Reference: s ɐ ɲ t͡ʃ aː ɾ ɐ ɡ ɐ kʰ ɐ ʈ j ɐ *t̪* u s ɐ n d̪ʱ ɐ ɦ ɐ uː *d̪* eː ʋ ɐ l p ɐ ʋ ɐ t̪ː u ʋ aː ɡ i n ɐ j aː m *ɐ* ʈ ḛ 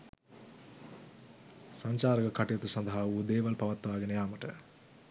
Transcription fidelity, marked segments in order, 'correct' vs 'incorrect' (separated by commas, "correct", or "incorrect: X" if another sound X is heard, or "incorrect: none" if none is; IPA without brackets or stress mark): correct, correct, correct